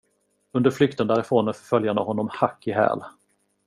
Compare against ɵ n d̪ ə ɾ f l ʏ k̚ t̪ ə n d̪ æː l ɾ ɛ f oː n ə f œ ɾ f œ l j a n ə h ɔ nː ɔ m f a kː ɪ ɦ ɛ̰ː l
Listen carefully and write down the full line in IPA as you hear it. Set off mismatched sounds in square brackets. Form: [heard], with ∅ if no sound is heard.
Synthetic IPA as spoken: ɵ n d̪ ə ɾ f l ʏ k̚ t̪ ə n d̪ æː [∅] ɾ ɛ f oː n ə f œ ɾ f œ l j a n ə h ɔ nː ɔ m [h] a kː ɪ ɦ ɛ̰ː l